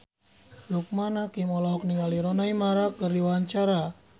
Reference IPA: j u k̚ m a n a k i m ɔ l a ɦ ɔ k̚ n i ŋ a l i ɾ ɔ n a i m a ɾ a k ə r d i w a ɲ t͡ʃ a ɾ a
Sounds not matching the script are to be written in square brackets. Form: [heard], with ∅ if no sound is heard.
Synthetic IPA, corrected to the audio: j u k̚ m a n a k i m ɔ l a ɦ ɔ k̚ n i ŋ a l i ɾ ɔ n a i m a ɾ a k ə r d i w a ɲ t͡ʃ a ɾ a